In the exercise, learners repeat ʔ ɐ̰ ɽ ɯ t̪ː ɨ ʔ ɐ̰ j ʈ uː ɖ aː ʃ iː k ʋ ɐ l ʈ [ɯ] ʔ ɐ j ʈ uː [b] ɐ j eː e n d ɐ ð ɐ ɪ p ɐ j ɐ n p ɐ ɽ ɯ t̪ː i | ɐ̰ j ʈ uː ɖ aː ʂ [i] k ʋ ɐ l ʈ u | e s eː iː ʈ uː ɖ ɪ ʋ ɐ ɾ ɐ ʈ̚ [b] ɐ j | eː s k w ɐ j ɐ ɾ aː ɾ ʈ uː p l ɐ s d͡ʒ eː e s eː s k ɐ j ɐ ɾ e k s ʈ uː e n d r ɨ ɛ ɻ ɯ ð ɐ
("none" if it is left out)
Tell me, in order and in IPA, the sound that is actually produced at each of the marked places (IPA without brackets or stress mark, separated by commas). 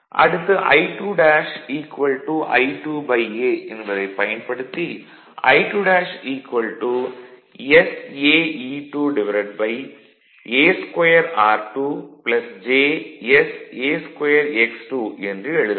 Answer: u, b, iː, b